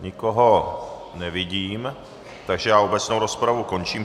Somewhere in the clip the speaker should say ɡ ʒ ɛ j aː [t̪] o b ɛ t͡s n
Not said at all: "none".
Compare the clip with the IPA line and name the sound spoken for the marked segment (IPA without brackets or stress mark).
none